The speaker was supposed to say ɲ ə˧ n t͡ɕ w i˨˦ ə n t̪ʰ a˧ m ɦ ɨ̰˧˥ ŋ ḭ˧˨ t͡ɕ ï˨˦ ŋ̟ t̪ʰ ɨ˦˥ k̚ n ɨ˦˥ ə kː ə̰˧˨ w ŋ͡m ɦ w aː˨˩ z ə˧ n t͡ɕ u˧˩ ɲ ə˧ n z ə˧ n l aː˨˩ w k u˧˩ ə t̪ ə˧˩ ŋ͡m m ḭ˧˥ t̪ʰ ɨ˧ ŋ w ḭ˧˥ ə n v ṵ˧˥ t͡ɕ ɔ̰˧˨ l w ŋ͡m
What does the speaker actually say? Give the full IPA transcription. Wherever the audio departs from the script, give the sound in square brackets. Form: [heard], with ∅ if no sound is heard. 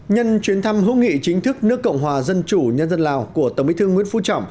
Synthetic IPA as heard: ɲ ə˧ n t͡ɕ w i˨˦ ə n t̪ʰ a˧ m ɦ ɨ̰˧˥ ŋ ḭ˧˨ t͡ɕ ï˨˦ ŋ̟ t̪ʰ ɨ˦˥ k̚ n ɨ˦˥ ə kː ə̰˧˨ w ŋ͡m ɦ w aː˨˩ z ə˧ n t͡ɕ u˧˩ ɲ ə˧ n z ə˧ n l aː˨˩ w k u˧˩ ə t̪ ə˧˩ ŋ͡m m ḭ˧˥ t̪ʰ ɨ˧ ŋ w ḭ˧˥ ə n [f] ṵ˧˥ t͡ɕ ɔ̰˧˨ [∅] w ŋ͡m